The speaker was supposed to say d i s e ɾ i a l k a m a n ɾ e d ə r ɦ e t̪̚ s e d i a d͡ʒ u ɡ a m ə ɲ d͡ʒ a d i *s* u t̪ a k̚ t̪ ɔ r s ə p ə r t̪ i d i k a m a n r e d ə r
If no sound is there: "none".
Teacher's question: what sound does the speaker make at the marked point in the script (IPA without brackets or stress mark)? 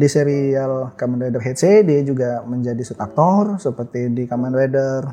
s